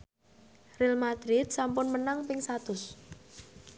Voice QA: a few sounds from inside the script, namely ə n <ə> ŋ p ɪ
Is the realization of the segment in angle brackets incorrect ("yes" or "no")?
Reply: yes